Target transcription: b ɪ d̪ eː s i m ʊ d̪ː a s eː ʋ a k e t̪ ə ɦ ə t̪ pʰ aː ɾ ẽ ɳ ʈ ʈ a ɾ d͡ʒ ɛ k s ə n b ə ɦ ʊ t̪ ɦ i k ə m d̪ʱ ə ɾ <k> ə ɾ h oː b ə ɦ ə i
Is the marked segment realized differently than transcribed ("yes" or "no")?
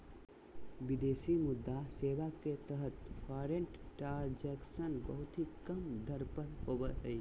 yes